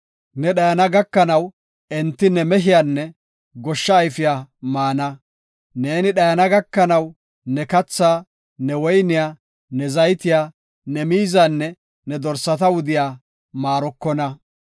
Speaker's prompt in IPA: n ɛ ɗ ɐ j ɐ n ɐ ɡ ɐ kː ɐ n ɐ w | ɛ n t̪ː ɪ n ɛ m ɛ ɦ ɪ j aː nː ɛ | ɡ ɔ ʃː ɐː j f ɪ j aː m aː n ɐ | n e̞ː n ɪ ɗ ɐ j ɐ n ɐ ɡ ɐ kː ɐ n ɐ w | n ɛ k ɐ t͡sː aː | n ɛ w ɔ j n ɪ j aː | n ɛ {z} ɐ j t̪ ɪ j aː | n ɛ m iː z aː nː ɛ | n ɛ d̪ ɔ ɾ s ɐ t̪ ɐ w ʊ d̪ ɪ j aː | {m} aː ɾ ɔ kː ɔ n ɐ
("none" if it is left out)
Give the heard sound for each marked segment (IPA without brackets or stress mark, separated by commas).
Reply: z, m